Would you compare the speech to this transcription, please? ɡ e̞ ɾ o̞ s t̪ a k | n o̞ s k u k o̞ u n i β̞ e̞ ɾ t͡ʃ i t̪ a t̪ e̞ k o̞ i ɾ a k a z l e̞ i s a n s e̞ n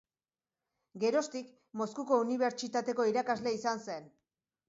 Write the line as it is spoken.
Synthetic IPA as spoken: ɡ e̞ ɾ o̞ s t̪ i k | m o̞ s k u k o̞ u n i β̞ e̞ ɾ t͡ʃ i t̪ a t̪ e̞ k o̞ i ɾ a k a z l e̞ i s a n s e̞ n